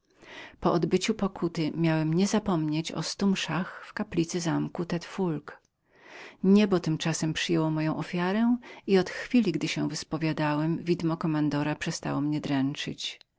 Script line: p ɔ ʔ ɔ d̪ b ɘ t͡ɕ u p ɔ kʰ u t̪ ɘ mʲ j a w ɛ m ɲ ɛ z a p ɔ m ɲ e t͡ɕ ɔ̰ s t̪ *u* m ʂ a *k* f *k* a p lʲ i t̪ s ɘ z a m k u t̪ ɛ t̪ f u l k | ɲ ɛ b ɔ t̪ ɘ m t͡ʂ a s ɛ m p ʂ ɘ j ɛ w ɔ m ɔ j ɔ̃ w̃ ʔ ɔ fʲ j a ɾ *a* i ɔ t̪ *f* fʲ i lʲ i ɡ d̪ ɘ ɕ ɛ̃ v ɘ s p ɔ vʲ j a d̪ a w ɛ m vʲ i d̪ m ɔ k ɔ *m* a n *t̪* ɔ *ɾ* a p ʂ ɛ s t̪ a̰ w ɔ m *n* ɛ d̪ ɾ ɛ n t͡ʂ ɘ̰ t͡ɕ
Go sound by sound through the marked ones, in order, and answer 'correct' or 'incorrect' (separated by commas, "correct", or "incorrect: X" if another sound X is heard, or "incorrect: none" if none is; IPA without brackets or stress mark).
correct, incorrect: x, correct, incorrect: ɛ, incorrect: x, correct, incorrect: d̪, correct, incorrect: ɲ